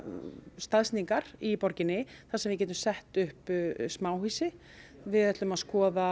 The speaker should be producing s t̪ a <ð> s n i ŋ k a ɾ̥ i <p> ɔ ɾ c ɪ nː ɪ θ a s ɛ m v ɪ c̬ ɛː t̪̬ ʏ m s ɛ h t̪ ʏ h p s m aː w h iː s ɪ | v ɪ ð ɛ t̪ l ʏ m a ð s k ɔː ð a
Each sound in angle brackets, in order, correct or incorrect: correct, correct

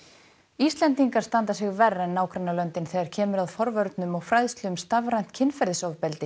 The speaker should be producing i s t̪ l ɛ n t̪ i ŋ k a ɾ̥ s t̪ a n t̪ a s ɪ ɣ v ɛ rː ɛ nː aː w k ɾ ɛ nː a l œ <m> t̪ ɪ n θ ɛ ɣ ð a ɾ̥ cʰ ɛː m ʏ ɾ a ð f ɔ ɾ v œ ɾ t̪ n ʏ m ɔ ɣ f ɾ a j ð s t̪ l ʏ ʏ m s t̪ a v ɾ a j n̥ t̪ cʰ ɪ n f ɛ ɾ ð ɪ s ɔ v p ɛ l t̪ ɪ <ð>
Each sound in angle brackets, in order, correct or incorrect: incorrect, incorrect

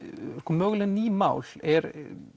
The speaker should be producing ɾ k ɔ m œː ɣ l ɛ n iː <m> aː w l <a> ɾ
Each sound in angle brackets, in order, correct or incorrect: correct, incorrect

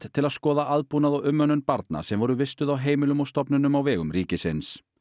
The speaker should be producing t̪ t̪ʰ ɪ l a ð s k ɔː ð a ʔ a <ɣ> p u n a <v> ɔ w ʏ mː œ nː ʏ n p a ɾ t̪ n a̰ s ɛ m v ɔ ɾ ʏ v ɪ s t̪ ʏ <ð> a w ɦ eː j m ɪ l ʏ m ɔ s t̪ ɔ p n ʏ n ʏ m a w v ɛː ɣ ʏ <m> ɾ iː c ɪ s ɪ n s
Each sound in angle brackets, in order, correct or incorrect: incorrect, incorrect, correct, correct

